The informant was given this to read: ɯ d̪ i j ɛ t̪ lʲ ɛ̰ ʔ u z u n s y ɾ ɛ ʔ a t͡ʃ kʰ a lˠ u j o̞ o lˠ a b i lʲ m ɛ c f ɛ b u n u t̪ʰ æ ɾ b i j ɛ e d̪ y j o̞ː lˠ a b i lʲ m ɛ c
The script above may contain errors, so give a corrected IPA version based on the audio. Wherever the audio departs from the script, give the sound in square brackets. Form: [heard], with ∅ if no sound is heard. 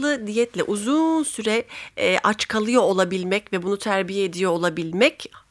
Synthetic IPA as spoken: ɯ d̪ i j ɛ t̪ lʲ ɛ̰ ʔ u z u n s y ɾ ɛ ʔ a t͡ʃ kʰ a lˠ [ɯ] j o̞ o lˠ a b i lʲ m ɛ c [v] ɛ b u n u t̪ʰ æ ɾ b i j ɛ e d̪ [i] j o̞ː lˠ a b i lʲ m ɛ c